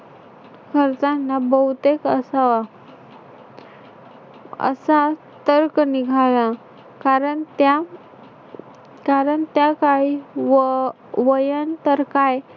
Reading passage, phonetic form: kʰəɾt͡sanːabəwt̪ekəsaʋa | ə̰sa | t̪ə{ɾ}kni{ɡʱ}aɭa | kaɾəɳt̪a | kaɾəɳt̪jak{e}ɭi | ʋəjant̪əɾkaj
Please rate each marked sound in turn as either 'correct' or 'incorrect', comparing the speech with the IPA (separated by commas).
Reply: correct, correct, incorrect